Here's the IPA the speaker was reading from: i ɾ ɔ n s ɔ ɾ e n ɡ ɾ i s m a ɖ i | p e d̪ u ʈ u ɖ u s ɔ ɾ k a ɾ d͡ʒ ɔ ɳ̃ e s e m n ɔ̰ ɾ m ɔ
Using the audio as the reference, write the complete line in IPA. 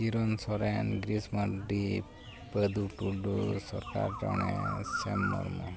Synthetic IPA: i ɾ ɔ n s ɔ ɾ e n ɡ ɾ i s m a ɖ i | p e d̪ u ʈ u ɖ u s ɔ ɾ k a ɾ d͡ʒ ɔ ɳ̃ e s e m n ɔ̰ ɾ m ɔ